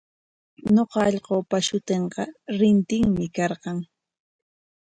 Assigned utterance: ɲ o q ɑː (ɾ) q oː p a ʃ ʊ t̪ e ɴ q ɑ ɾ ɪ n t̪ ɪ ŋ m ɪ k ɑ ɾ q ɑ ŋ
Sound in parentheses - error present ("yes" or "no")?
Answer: yes